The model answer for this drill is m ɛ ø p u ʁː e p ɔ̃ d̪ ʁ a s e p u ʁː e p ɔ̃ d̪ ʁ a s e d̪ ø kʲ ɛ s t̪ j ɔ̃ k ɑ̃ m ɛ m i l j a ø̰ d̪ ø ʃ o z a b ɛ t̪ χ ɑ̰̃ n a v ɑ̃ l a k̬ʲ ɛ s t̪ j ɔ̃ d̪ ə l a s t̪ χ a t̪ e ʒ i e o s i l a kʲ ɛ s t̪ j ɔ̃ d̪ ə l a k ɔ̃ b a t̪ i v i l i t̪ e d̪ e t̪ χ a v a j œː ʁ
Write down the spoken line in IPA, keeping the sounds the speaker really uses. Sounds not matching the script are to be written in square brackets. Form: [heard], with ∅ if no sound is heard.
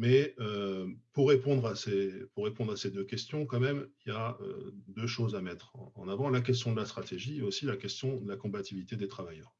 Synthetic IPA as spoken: m ɛ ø p u ʁː e p ɔ̃ d̪ ʁ a s e p u ʁː e p ɔ̃ d̪ ʁ a s e d̪ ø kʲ ɛ s t̪ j ɔ̃ k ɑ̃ m ɛ m i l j a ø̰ d̪ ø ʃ o z a [m] ɛ t̪ χ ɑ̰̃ n a v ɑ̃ l a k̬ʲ ɛ s t̪ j ɔ̃ d̪ ə l a s t̪ χ a t̪ e ʒ i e o s i l a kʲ ɛ s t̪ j ɔ̃ d̪ ə l a k ɔ̃ b a t̪ i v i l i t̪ e d̪ e t̪ χ a v a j œː ʁ